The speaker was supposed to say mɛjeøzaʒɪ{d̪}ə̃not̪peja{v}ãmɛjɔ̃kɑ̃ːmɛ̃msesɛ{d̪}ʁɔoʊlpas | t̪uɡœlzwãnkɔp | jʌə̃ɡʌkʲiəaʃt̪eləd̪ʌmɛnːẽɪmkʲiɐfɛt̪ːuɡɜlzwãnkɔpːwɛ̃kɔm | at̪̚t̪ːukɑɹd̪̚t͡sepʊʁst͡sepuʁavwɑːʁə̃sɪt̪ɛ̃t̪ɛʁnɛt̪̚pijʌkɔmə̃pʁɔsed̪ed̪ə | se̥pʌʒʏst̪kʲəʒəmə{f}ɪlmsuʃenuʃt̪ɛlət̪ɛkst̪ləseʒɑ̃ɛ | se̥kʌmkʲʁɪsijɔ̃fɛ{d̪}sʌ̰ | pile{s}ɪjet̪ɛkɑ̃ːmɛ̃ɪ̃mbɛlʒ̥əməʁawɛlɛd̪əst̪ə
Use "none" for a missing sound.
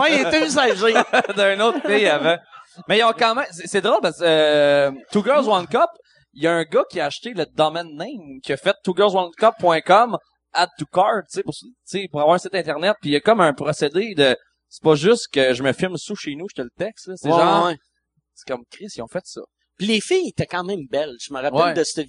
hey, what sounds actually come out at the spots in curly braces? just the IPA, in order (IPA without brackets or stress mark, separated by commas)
d̪, v, d̪, f, t̪, f